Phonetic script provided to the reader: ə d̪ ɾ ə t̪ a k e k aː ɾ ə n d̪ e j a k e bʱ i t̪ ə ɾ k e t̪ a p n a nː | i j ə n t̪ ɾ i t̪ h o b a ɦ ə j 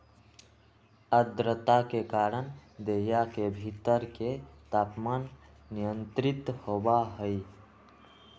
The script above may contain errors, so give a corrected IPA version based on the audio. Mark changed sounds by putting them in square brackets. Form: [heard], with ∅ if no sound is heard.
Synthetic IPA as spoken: ə d̪ ɾ ə t̪ a k e k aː ɾ ə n d̪ e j a k e bʱ i t̪ ə ɾ k e t̪ a p [m] a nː | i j ə n t̪ ɾ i t̪ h o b a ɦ ə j